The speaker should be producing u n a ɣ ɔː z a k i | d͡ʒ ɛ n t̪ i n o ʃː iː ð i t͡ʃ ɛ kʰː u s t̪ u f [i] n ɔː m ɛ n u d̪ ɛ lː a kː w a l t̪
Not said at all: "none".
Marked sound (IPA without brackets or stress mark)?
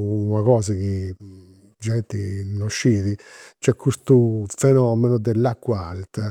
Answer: ɛ